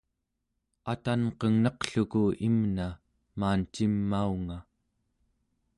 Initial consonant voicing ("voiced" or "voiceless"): voiceless